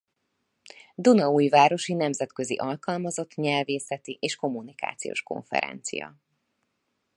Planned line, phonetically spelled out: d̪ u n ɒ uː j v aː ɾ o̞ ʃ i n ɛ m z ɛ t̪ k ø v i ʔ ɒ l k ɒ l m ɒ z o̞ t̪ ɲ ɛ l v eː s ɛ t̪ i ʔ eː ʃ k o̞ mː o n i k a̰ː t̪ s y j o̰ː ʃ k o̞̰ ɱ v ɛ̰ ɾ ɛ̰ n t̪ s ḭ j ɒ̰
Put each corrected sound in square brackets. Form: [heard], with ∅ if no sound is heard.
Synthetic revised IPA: d̪ u n ɒ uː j v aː ɾ o̞ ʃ i n ɛ m z ɛ t̪ k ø [z] i ʔ ɒ l k ɒ l m ɒ z o̞ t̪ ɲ ɛ l v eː s ɛ t̪ i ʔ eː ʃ k o̞ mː [u] n i k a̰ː t̪ s [i] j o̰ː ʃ k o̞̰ ɱ [f] ɛ̰ ɾ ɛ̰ n t̪ s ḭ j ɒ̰

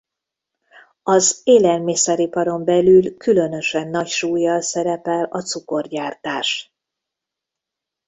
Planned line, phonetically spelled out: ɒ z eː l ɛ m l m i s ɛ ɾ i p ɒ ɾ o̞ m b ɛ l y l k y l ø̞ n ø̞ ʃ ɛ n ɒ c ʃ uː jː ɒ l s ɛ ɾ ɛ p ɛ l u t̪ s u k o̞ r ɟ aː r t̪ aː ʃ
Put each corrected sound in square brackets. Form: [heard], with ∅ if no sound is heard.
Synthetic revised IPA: ɒ z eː l ɛ [∅] l m i s ɛ ɾ i p ɒ ɾ o̞ m b ɛ l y l k y l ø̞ n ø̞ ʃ ɛ [nː] ɒ c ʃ uː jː ɒ l s ɛ ɾ ɛ p ɛ l [ɒ] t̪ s u k o̞ r ɟ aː r t̪ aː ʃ

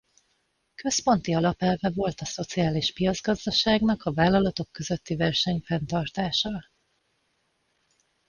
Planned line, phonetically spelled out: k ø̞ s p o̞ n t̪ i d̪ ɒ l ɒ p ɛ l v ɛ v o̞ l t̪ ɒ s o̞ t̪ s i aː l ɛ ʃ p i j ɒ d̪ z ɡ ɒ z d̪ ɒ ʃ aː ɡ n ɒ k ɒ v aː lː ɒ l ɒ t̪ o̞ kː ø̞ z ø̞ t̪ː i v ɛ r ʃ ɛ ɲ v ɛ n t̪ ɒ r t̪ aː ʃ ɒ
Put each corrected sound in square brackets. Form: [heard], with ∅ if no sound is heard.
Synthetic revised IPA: k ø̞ s p o̞ n t̪ i [∅] ɒ l ɒ p ɛ l v ɛ v o̞ l t̪ ɒ s o̞ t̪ s i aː l [i] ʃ p i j ɒ d̪ z ɡ ɒ z d̪ ɒ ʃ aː ɡ n ɒ k ɒ v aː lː ɒ l ɒ t̪ o̞ kː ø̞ z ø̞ t̪ː i v ɛ r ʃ ɛ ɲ [f] ɛ n t̪ ɒ r t̪ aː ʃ ɒ

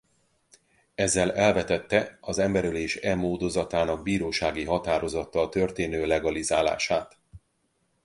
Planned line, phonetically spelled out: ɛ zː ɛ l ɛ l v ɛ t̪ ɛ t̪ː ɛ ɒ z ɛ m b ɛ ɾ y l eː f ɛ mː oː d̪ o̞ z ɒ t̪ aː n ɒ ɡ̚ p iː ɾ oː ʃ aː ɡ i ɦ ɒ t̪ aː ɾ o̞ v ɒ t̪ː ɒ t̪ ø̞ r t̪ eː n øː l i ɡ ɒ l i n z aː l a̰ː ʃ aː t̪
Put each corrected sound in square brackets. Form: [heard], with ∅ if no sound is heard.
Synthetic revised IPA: ɛ zː ɛ l ɛ l v ɛ t̪ ɛ t̪ː ɛ ɒ z ɛ m b ɛ ɾ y l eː [ʃ] ɛ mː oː d̪ o̞ z ɒ t̪ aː n ɒ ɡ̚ [b] iː ɾ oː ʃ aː ɡ i ɦ ɒ t̪ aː ɾ o̞ [z] ɒ t̪ː ɒ t̪ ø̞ r t̪ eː n øː l [ɛ] ɡ ɒ l i [∅] z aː l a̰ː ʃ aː t̪

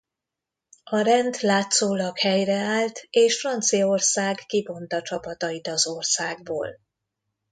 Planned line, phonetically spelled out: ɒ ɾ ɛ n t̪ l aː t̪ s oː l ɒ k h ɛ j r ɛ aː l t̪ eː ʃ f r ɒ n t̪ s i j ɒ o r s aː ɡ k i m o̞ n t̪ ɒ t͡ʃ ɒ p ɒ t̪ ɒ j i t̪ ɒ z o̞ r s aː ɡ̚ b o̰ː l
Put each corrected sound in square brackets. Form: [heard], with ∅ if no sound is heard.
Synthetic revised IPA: ɒ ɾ ɛ n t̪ l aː t̪ s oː l ɒ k h ɛ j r ɛ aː l t̪ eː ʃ f r ɒ n t̪ s i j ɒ o r s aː ɡ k i [b] o̞ n t̪ ɒ t͡ʃ ɒ p ɒ t̪ ɒ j i t̪ ɒ z o̞ r s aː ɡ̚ b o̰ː l

